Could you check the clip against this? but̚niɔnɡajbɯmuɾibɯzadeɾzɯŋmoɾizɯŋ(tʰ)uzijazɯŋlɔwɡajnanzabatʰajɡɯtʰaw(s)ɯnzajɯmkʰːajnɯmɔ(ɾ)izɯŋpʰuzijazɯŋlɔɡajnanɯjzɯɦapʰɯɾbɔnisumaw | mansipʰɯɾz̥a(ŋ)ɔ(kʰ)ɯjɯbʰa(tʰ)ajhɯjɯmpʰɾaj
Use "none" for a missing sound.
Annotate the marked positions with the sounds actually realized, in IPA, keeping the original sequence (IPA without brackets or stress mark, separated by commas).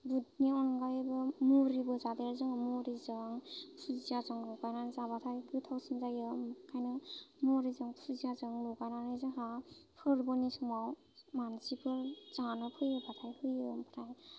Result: pʰ, s, ɾ, n, pʰ, tʰ